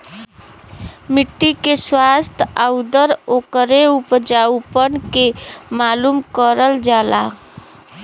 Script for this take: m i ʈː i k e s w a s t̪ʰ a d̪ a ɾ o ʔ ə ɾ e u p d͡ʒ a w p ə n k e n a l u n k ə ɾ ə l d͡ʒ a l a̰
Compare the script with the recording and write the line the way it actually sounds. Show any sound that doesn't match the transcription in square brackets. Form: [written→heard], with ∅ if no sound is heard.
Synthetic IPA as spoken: m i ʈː i k e s w a s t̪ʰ a d̪ [a→ə] ɾ o [ʔ→k] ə ɾ e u p d͡ʒ a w p ə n k e [n→m] a l u [n→m] k ə ɾ ə l d͡ʒ a l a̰